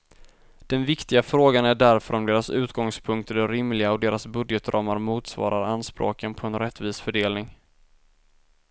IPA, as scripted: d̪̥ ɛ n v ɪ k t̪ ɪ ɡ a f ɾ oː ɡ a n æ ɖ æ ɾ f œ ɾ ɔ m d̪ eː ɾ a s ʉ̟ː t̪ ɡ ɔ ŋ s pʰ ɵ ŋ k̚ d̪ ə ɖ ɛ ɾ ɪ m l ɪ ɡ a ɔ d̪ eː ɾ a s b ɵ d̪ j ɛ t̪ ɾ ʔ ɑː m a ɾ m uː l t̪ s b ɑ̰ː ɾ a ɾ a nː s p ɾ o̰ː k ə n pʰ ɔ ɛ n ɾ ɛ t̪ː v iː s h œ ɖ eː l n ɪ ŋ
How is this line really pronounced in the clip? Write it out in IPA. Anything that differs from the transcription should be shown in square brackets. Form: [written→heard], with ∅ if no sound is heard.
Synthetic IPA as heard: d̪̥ ɛ n v ɪ k t̪ ɪ ɡ a f ɾ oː ɡ a n æ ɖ æ ɾ f œ ɾ ɔ m d̪ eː ɾ a s ʉ̟ː t̪ ɡ ɔ ŋ s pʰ ɵ ŋ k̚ [d̪→t̪] ə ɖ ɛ ɾ ɪ m l ɪ ɡ a ɔ d̪ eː ɾ a s b ɵ d̪ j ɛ t̪ ɾ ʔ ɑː m a ɾ m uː [l→∅] t̪ s [b→v] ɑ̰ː ɾ a ɾ a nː s p ɾ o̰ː k ə n pʰ ɔ ɛ n ɾ ɛ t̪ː v iː s [h→f] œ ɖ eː l n ɪ ŋ